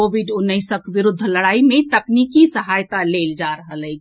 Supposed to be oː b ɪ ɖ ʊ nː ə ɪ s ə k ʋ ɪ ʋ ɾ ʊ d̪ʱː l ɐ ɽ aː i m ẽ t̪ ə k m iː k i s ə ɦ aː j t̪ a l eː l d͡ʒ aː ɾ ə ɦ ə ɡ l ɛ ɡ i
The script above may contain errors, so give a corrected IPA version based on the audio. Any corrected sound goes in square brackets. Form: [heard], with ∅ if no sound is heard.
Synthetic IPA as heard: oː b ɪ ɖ ʊ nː ə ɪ s ə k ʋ ɪ [∅] ɾ ʊ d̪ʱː l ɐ ɽ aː i m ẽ t̪ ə k [n] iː k i s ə ɦ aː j t̪ a l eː l d͡ʒ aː ɾ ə ɦ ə [∅] l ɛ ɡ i